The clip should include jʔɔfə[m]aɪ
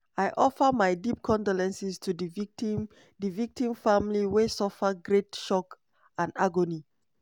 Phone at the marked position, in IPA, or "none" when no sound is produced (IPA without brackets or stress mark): m